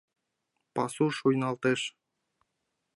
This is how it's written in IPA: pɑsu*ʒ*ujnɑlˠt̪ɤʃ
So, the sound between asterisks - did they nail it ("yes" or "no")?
no